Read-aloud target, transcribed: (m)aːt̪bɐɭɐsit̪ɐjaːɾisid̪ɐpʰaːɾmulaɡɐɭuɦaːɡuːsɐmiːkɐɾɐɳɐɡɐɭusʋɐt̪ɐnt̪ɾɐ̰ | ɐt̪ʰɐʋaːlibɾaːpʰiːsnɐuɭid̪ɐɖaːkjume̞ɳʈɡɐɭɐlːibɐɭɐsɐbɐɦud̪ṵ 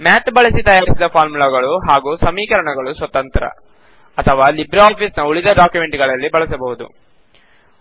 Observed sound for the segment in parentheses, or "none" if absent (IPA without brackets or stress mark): m